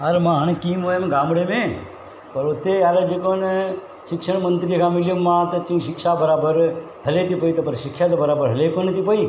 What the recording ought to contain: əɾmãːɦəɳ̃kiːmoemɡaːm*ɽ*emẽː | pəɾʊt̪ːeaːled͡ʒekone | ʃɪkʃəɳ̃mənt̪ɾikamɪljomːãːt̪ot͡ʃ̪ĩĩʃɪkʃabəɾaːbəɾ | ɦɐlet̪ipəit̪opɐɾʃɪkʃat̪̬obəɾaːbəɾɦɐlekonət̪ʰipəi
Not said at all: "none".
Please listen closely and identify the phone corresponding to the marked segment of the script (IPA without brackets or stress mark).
ɽ